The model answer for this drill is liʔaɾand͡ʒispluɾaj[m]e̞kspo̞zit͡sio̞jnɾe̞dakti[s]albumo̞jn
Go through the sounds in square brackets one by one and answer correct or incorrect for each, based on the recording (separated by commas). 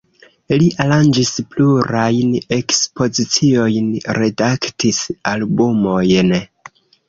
incorrect, correct